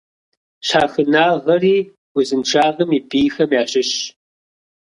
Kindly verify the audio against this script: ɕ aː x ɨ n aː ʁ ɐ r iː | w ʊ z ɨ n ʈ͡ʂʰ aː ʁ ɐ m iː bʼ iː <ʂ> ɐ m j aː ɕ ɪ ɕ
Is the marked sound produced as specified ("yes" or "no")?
no